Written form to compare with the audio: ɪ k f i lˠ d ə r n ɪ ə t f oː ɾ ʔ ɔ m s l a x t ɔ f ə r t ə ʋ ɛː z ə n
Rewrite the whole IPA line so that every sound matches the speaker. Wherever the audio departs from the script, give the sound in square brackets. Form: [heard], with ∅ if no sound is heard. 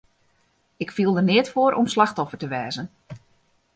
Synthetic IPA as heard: ɪ k f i lˠ d ə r n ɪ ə t f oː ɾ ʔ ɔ m s l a x t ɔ f ə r t ə ʋ ɛː z ə n